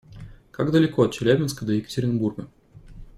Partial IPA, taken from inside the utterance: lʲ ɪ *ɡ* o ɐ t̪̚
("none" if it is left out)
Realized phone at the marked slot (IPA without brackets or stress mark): k